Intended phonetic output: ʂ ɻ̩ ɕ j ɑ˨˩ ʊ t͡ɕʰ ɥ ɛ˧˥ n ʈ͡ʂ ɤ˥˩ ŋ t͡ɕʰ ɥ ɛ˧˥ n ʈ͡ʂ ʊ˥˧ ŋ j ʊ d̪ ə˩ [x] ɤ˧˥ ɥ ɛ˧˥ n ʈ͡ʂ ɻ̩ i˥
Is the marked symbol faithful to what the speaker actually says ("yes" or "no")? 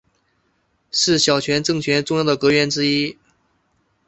no